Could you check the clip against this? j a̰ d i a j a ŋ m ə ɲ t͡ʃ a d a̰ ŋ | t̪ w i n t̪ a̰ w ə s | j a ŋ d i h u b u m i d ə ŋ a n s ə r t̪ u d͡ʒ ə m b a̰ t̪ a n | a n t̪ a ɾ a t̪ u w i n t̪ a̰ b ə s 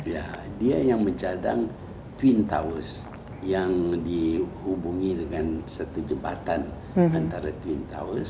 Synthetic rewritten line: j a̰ d i a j a ŋ m ə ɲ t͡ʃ a d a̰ ŋ | t̪ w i n t̪ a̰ w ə s | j a ŋ d i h u b u ŋ i d ə ŋ a n s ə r t̪ u d͡ʒ ə m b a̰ t̪ a n | a n t̪ a ɾ a t̪ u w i n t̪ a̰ w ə s